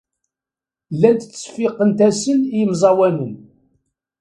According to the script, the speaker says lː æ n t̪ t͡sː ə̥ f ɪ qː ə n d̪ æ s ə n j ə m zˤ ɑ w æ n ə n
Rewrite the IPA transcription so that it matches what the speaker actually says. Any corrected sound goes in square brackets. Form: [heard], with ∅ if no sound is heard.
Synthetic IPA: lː æ n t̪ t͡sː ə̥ f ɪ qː ə n [t̪] æ s ə n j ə m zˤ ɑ w æ n ə n